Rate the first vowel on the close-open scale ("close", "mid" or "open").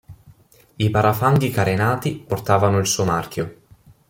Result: close